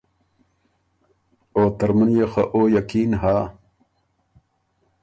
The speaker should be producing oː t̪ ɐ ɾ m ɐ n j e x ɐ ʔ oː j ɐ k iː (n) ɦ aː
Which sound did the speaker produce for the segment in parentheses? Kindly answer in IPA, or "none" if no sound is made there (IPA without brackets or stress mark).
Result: n